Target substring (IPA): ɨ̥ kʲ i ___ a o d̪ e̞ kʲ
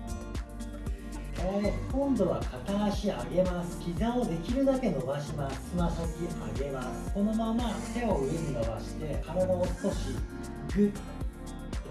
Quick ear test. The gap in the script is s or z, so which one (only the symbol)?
z